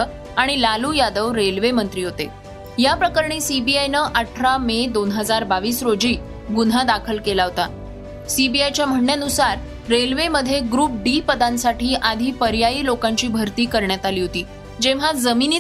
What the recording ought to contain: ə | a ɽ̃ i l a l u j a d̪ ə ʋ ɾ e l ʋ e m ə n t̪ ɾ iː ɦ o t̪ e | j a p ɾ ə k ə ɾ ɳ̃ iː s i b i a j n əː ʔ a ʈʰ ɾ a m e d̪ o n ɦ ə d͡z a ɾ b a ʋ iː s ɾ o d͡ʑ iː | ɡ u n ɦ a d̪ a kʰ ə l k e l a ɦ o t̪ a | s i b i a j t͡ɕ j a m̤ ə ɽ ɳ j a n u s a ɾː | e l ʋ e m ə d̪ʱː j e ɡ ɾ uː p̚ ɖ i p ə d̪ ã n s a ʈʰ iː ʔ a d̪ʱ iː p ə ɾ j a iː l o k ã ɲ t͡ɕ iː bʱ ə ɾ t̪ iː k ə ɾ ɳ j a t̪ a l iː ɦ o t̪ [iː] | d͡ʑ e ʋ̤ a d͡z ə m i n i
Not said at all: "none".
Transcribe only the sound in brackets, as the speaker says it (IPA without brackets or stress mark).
iː